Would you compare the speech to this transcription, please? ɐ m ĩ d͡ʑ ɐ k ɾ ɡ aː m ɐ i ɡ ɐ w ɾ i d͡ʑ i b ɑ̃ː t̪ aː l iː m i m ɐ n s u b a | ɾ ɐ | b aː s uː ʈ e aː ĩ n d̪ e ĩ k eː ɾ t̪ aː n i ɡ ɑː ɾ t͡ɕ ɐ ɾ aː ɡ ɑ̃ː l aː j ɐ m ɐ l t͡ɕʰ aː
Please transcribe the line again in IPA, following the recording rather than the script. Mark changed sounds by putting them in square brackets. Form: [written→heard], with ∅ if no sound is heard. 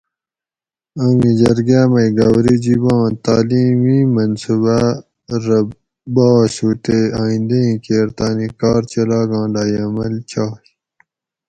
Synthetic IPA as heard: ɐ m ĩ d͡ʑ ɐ [k→∅] ɾ ɡ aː m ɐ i ɡ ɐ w ɾ i d͡ʑ i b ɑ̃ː t̪ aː l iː m i m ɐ n s u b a | ɾ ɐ | b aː s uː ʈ e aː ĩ n d̪ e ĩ k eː ɾ t̪ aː n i [ɡ→k] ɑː ɾ t͡ɕ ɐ [ɾ→l] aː ɡ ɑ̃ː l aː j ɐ m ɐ l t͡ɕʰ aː